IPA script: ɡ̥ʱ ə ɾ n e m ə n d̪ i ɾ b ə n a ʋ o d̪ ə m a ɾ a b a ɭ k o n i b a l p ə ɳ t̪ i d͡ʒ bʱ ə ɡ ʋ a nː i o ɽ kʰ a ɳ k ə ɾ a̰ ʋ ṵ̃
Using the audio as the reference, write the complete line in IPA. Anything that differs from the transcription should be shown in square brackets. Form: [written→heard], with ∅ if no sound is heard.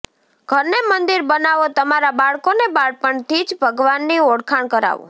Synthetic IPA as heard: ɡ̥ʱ ə ɾ n e m ə n d̪ i ɾ b ə n a ʋ o [d̪→t̪] ə m a ɾ a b a ɭ k o n [i→e] b a [l→ɭ] p ə ɳ t̪ i d͡ʒ bʱ ə ɡ ʋ a nː i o ɽ kʰ a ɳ k ə ɾ a̰ ʋ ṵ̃